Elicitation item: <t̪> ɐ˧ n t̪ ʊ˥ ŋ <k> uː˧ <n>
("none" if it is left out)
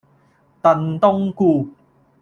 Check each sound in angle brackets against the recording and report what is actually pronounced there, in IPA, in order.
t̪, k, none

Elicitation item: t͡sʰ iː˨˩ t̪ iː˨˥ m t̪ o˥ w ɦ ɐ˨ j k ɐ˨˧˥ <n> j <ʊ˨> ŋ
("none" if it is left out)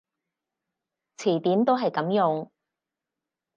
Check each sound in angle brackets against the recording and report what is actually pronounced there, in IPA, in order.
m, ʊ˨

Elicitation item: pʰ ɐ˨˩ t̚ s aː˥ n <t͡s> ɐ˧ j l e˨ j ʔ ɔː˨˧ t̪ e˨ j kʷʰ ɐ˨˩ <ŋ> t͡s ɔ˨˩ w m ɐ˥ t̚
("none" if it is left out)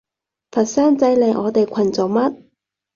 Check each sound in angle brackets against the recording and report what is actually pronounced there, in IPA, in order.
t͡s, n

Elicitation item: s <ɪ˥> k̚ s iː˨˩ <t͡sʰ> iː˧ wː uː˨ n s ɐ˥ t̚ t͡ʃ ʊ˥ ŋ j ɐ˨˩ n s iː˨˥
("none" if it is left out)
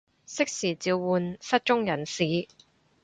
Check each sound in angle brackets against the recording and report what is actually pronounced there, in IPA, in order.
ɪ˥, t͡s

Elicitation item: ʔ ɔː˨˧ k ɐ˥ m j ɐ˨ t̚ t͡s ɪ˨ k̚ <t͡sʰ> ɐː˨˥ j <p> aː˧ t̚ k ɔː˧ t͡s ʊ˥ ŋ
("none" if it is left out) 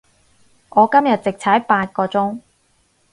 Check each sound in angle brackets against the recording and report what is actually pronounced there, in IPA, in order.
t͡sʰ, p

